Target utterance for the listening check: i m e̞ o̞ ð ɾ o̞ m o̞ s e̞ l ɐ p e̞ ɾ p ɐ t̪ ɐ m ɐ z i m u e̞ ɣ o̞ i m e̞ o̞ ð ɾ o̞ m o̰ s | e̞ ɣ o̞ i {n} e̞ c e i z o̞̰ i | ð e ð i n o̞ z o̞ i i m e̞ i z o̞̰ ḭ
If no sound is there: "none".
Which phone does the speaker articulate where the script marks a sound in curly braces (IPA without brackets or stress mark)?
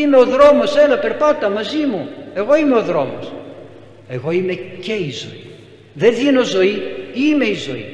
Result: m